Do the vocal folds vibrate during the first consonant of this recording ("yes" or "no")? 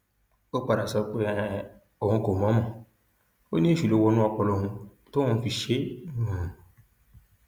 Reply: no